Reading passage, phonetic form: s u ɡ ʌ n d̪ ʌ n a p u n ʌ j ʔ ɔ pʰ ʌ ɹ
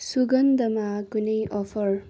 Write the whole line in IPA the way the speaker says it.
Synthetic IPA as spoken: s u ɡ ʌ n d̪ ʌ m a k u n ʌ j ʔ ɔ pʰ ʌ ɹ